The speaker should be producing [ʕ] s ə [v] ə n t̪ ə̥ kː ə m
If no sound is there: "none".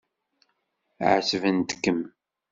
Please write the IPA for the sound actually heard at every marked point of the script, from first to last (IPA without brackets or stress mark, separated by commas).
ʕ, v